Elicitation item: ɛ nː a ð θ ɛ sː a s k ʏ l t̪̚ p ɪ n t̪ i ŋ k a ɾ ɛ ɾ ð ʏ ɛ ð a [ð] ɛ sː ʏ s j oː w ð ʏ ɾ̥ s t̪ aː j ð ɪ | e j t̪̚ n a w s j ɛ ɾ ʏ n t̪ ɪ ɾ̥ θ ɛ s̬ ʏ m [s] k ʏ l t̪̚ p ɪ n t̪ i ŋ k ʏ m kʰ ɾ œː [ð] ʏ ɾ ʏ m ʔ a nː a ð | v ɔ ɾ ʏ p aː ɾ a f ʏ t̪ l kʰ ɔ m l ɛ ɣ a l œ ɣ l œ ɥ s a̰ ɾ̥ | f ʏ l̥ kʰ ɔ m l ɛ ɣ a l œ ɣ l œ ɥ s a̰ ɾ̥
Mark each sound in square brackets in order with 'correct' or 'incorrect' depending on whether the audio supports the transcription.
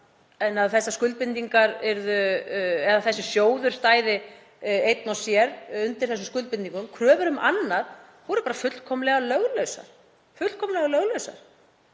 incorrect: θ, correct, incorrect: v

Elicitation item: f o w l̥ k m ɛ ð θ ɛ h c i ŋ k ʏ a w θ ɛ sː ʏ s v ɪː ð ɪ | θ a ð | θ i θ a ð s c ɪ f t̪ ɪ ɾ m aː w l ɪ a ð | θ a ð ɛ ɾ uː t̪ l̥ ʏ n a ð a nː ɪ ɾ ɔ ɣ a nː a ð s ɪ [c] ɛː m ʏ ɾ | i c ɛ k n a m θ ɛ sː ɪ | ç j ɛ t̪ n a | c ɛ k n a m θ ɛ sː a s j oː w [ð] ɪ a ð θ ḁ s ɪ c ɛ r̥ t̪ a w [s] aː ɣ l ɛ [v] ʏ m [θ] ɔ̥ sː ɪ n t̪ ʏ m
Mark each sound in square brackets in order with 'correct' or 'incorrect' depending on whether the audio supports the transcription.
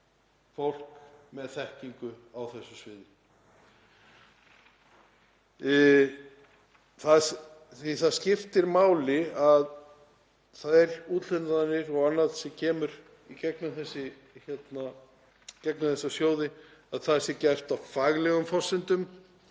incorrect: cʰ, correct, incorrect: f, incorrect: ɣ, incorrect: f

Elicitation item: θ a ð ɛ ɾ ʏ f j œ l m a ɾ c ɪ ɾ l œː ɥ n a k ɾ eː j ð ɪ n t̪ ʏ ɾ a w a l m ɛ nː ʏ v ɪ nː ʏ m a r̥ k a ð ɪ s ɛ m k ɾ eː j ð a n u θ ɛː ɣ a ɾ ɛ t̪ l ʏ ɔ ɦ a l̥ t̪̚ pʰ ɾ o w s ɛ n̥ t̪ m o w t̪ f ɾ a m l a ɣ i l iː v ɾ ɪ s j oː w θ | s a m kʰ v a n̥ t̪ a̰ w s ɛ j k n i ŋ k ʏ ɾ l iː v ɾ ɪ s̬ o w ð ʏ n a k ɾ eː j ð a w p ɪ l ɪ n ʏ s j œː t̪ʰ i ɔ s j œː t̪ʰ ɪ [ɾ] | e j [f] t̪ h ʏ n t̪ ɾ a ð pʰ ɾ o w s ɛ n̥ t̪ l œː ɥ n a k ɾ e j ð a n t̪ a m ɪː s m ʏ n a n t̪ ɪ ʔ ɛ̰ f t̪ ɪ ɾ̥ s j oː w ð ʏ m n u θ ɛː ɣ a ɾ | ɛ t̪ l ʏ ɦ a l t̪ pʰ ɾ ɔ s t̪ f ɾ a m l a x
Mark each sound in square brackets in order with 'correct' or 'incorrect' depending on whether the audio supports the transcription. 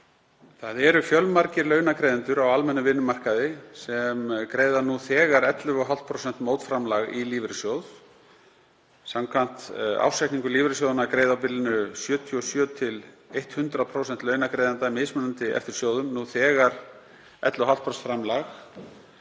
incorrect: l, incorrect: h

